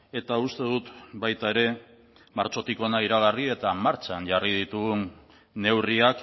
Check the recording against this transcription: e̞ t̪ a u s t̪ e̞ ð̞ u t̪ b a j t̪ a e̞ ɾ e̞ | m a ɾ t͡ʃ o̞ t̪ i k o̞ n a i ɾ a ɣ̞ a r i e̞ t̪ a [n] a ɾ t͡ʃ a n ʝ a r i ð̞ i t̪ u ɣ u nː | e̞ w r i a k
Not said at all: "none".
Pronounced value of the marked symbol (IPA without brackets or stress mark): m